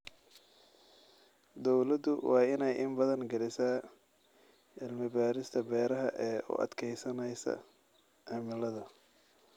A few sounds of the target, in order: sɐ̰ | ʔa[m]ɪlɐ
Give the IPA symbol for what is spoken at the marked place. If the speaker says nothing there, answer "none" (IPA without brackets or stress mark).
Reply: m